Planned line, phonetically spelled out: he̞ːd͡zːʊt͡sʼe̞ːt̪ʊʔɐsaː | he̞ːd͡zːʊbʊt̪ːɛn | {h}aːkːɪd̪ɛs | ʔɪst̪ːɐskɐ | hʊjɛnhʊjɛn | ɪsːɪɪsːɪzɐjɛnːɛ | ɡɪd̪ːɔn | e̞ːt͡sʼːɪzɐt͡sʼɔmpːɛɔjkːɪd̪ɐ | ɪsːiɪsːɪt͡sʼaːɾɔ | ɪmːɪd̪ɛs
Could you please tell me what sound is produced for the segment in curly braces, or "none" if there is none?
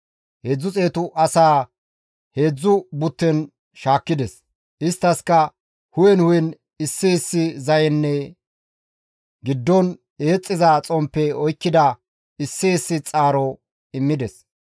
ʃ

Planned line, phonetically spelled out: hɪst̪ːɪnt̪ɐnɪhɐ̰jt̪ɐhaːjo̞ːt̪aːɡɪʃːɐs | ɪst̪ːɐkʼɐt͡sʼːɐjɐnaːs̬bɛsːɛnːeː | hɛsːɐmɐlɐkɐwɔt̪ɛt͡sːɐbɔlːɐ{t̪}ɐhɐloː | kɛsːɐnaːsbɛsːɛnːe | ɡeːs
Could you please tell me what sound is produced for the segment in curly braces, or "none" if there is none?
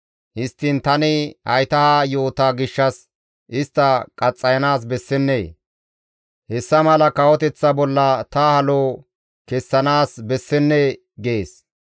t̪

